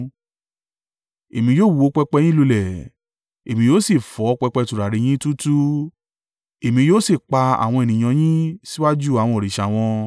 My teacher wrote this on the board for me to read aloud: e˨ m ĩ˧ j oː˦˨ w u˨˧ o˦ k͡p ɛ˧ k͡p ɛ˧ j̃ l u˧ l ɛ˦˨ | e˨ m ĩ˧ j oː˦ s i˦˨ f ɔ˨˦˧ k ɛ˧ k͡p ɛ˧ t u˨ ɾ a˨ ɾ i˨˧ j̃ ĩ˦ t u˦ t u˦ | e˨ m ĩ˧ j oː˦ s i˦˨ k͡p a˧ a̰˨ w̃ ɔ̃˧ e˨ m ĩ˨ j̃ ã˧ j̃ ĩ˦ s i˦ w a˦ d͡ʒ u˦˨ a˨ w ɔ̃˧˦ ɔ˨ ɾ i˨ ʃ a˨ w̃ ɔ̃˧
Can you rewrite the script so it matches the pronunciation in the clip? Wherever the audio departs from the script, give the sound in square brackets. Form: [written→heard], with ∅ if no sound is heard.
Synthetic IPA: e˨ m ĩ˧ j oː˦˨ w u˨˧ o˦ k͡p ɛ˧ k͡p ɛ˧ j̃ l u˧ l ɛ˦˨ | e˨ m ĩ˧ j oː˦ s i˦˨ f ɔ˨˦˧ [k→k͡p] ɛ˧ k͡p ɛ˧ t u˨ ɾ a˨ ɾ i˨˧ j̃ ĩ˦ t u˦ t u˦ | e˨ m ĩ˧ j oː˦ s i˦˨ k͡p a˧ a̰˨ w̃ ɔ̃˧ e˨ [m→n] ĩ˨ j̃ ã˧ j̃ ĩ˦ s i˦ w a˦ d͡ʒ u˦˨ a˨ w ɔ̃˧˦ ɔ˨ ɾ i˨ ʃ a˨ w̃ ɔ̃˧